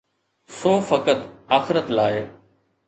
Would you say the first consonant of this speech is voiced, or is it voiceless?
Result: voiceless